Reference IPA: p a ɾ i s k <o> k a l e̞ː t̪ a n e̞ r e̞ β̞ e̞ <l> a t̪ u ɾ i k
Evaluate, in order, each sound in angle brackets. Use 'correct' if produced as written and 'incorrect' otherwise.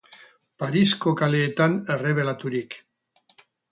correct, correct

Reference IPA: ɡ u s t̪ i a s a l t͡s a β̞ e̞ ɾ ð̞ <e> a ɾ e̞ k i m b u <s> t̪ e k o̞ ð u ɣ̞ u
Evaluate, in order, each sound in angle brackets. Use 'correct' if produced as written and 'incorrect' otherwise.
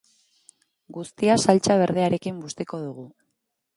correct, correct

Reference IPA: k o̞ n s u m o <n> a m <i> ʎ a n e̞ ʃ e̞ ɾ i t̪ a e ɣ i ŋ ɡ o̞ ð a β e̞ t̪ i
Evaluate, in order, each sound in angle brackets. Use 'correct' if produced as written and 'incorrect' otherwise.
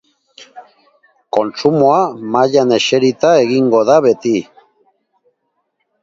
incorrect: none, incorrect: a

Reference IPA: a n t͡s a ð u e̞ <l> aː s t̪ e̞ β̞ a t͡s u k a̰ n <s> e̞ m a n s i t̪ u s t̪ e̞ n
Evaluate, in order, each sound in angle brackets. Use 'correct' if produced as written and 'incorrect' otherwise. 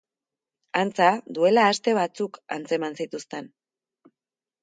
correct, incorrect: t͡s

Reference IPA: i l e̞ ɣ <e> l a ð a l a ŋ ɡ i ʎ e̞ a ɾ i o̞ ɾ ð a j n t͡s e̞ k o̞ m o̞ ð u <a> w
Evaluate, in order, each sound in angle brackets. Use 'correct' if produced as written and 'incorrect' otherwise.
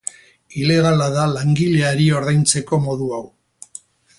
incorrect: a, correct

